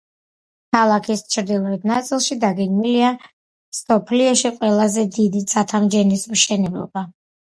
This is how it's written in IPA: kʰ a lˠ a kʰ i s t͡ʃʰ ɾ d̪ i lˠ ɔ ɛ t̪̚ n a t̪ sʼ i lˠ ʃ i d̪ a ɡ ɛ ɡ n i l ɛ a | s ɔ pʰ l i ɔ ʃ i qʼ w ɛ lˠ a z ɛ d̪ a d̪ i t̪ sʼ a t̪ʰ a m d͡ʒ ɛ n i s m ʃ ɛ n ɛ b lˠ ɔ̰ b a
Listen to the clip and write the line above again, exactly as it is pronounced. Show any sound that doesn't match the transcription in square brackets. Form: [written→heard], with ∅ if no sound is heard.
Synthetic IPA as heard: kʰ a lˠ a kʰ i s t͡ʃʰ ɾ d̪ i lˠ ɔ ɛ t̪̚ n a t̪ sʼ i lˠ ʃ i d̪ a ɡ ɛ ɡ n i l [ɛ→i] a | s ɔ pʰ l i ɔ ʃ i qʼ w ɛ lˠ a z ɛ d̪ [a→i] d̪ i t̪ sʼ a t̪ʰ a m d͡ʒ ɛ n i s m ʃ ɛ n ɛ b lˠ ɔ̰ b a